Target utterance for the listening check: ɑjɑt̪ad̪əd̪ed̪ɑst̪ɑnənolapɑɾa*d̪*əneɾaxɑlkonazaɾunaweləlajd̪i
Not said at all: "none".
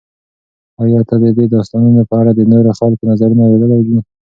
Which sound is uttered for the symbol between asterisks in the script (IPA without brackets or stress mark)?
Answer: d̪